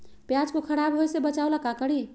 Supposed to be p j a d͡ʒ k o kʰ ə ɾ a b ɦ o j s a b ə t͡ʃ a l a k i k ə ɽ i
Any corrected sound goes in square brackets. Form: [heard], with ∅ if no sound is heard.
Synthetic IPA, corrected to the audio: p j a d͡ʒ k o kʰ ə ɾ a b ɦ o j s [e] b ə t͡ʃ a l a k [a] k ə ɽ i

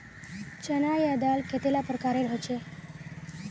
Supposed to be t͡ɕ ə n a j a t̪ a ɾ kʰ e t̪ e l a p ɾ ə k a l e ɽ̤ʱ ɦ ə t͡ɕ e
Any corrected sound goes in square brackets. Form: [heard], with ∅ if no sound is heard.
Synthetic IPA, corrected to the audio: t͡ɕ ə n a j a [d̪] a [l] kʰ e t̪ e l a p ɾ ə k a [ɾ] e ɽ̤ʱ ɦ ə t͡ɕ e

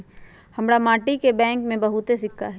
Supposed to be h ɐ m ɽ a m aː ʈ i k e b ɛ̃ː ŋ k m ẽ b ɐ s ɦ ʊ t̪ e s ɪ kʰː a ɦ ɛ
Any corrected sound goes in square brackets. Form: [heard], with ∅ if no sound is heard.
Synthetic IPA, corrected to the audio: h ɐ m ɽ a m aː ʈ i k e b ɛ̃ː ŋ k m ẽ b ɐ [∅] ɦ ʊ t̪ e s ɪ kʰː a ɦ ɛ

